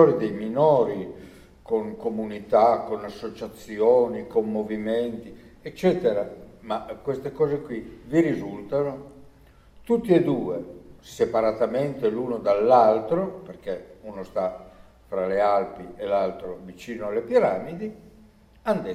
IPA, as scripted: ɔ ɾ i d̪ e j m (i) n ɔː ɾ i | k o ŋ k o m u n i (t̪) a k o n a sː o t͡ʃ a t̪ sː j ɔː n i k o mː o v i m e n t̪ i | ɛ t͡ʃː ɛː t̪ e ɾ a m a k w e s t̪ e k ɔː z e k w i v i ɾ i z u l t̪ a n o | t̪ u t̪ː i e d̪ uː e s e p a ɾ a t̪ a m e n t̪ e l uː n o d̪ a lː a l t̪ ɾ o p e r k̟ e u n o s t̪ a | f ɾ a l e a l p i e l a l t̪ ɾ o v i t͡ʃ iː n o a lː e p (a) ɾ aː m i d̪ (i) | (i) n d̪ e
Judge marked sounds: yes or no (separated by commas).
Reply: yes, yes, no, yes, no